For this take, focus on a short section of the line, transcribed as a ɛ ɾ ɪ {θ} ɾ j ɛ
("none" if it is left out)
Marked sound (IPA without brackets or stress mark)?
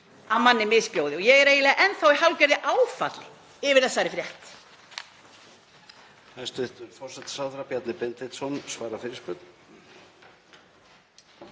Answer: f